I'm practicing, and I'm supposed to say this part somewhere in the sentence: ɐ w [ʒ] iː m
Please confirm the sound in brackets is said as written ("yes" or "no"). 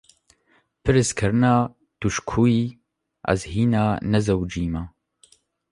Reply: no